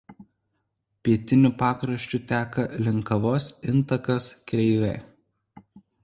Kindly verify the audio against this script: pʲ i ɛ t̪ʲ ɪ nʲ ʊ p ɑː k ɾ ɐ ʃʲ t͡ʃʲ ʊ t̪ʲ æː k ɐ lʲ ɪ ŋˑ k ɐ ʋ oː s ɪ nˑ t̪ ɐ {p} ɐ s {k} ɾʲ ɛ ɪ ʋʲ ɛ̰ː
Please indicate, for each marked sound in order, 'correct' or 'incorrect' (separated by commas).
incorrect, correct